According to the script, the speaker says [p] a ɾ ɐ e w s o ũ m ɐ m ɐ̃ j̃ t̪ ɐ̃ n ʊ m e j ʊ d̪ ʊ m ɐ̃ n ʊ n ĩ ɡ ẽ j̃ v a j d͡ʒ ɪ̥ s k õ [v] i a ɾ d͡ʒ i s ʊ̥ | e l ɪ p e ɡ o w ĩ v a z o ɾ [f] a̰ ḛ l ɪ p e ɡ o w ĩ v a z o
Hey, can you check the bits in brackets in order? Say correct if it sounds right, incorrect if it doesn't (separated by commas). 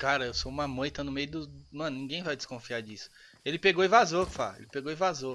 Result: incorrect, incorrect, correct